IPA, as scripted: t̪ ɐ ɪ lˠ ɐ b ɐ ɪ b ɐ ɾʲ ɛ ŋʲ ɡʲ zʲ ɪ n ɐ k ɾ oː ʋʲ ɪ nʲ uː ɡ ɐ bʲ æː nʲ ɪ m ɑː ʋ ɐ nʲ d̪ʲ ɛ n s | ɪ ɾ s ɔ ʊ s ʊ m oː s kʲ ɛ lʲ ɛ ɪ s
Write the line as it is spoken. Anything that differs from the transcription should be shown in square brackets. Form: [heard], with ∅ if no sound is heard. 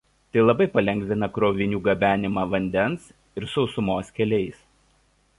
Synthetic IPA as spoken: t̪ ɐ ɪ lˠ ɐ b ɐ ɪ [p] ɐ [lʲ] ɛ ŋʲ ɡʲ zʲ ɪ n ɐ k ɾ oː ʋʲ ɪ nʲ uː ɡ ɐ bʲ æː nʲ ɪ m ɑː ʋ ɐ nʲ d̪ʲ ɛ n s | ɪ ɾ s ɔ ʊ s ʊ m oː s kʲ ɛ lʲ ɛ ɪ s